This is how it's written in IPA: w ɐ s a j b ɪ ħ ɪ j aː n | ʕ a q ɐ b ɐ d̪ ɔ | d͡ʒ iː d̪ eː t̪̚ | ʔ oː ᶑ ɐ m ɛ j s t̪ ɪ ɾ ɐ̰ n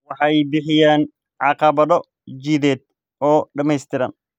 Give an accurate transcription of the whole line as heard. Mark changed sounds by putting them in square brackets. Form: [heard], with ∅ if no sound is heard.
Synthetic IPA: w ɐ [ħ] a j b ɪ ħ ɪ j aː n | ʕ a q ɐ b ɐ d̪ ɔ | d͡ʒ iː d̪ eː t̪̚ | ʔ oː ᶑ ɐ m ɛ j s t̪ ɪ ɾ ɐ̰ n